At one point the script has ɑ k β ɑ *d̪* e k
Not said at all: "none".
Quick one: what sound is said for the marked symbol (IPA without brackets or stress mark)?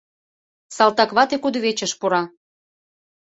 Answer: t̪